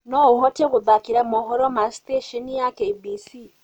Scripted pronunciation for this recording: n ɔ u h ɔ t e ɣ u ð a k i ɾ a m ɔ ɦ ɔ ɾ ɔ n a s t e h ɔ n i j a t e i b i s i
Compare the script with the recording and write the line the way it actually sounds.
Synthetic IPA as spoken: n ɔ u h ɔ t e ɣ u ð a k i ɾ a m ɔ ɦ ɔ ɾ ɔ m a s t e ʃ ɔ n i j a k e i b i s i